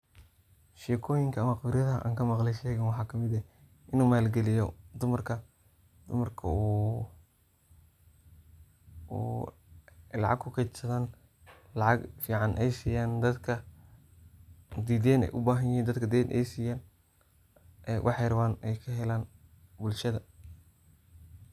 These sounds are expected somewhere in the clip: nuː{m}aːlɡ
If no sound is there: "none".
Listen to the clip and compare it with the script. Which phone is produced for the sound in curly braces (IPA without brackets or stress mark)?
m